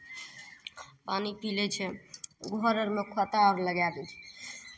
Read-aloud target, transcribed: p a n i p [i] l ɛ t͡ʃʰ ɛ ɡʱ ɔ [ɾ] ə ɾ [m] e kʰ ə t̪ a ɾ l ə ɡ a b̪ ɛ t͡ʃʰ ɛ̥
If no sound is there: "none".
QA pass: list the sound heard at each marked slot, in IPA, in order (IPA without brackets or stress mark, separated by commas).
i, ɾ, m